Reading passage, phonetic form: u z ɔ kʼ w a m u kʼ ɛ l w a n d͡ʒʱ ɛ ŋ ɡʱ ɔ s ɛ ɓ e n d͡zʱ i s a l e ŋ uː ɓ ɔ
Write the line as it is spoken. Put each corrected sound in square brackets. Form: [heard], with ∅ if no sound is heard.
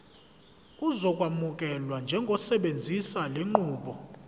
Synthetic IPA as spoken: u z ɔ kʼ w a m u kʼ ɛ l w a n d͡ʒʱ ɛ ŋ ɡʱ ɔ s ɛ ɓ e n d͡zʱ i s a l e [ŋ͡ǃ] uː ɓ ɔ

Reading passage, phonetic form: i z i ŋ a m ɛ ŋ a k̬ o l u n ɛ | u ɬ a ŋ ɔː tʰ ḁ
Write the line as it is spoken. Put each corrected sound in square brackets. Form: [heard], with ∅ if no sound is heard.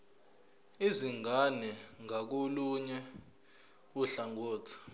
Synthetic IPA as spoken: i z i ŋ a [n] ɛ ŋ a k̬ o l u [ɲ] ɛ | u ɬ a ŋ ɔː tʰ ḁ

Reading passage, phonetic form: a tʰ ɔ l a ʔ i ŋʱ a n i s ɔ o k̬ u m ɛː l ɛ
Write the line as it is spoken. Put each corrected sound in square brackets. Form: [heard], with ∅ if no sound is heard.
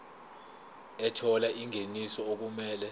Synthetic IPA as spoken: [ɛ] tʰ ɔ l a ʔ i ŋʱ [e] n i s ɔ o k̬ u m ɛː l ɛ

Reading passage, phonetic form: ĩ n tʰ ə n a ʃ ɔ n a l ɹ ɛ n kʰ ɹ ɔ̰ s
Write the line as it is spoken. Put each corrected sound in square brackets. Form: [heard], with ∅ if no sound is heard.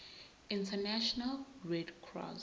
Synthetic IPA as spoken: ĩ n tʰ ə n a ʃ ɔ n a l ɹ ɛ [d] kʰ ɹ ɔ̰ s

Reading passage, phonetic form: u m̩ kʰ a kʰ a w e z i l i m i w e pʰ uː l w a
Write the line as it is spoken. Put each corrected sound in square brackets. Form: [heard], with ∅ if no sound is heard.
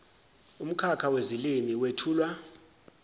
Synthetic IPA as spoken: u m̩ kʰ a kʰ a w e z i l i m i w e [tʰ] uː l w a

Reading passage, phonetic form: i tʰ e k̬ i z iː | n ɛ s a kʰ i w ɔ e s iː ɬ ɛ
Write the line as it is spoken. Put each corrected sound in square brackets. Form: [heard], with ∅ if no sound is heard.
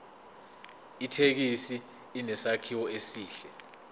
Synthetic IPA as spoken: i tʰ e k̬ i [s] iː | n ɛ s a kʰ i w ɔ e s iː ɬ ɛ

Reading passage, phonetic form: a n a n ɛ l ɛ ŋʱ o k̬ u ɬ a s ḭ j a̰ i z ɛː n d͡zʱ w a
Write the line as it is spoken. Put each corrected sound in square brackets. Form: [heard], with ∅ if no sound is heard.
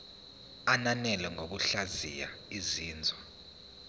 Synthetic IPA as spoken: a n a n ɛ l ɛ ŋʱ o k̬ u ɬ a [z] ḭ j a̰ i z [iː] n d͡zʱ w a

